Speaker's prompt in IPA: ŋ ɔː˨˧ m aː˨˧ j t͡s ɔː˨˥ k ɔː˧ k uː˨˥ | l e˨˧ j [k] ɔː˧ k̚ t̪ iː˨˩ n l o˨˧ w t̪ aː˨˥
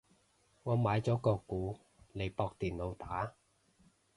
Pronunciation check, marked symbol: incorrect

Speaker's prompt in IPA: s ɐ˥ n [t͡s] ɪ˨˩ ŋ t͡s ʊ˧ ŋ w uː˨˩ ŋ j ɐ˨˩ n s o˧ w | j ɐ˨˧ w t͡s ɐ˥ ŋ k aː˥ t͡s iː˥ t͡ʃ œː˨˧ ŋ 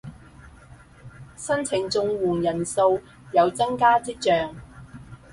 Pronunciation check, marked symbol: incorrect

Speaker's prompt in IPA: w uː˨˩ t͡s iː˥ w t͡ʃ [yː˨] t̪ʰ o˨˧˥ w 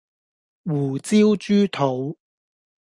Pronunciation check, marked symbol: incorrect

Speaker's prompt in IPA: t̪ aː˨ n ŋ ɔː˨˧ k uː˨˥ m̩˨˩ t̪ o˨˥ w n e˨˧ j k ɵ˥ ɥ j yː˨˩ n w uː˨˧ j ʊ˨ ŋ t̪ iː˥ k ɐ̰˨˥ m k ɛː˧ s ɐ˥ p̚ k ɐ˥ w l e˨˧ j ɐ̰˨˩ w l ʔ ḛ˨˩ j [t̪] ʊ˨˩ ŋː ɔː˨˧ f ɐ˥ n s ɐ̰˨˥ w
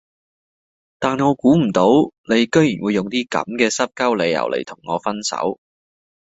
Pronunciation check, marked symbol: incorrect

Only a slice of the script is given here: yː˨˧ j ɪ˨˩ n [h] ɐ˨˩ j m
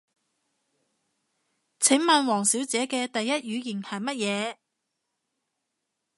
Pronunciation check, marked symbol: correct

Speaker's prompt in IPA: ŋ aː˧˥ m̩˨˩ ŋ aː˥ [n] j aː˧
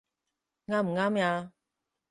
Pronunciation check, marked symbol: incorrect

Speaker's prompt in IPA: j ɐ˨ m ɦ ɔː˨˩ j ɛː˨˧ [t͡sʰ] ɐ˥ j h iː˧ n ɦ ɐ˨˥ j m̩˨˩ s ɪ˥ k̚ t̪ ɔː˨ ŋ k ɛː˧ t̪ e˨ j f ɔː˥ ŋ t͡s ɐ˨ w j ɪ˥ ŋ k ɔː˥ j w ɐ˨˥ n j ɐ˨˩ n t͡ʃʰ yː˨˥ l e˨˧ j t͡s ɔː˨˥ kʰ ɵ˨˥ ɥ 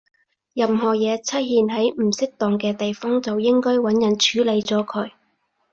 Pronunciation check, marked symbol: correct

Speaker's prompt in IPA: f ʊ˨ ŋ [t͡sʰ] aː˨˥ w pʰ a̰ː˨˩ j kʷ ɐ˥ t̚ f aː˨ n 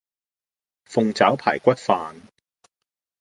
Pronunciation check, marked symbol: incorrect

